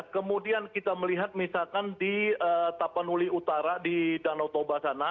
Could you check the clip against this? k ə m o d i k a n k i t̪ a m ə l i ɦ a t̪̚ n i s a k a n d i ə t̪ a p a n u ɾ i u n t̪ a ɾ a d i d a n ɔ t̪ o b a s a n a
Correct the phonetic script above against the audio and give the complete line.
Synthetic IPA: k ə m u d i a n k i t̪ a m ə l i ɦ a t̪̚ m i s a k a n d i ə t̪ a p a n u l i u t̪ a ɾ a d i d a n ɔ t̪ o b a s a n a